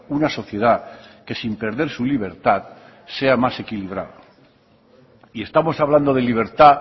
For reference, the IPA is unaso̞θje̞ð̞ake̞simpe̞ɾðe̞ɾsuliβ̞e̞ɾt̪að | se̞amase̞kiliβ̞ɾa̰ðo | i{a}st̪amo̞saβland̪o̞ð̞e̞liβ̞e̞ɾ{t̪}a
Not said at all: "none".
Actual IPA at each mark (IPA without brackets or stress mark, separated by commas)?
e, t̪